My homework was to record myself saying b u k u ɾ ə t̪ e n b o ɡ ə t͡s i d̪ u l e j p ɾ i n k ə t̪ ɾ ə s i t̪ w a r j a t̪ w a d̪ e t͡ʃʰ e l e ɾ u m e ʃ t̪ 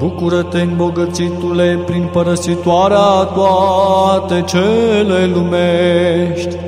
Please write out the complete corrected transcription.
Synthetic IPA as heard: b u k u ɾ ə t̪ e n b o ɡ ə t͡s i t̪ u l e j p ɾ i n p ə ɾ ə s i t̪ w a ɾ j a t̪ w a t̪ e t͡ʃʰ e l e l u m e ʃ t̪